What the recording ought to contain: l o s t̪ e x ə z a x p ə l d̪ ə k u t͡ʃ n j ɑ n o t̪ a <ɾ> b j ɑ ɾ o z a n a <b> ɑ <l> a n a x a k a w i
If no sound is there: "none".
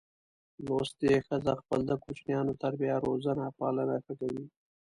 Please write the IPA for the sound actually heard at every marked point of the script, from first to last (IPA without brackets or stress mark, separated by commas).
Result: ɾ, p, l